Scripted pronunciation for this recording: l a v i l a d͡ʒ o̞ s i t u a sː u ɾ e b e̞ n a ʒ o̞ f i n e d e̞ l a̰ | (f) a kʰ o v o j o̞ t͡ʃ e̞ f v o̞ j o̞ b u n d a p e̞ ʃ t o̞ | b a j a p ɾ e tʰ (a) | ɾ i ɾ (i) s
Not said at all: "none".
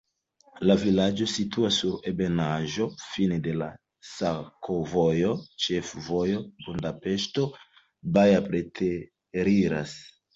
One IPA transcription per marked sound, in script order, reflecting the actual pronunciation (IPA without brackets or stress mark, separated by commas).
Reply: s, e, a